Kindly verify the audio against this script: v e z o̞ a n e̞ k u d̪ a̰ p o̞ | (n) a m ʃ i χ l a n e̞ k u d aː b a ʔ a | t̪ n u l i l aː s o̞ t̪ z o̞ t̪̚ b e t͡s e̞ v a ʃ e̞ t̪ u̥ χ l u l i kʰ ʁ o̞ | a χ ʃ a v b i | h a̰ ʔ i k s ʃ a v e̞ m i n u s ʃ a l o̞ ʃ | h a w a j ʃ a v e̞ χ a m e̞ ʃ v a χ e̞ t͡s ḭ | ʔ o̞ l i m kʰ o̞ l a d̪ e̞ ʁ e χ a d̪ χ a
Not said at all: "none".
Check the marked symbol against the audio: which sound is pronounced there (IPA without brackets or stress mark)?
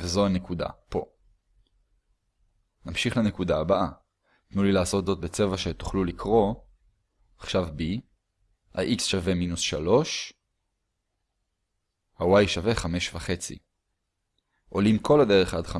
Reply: n